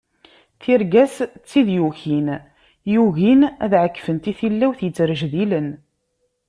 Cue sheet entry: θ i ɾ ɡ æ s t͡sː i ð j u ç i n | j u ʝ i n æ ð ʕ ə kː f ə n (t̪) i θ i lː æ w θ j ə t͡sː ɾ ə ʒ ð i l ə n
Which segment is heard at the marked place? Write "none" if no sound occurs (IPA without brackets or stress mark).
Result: t̪